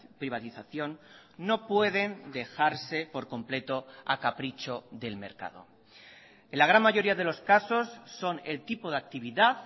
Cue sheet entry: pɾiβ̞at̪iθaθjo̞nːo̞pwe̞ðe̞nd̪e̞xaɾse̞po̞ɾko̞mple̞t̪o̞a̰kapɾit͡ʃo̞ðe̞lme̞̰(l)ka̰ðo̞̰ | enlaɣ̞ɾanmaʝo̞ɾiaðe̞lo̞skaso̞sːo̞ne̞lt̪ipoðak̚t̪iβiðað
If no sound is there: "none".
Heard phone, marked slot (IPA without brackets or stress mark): ɾ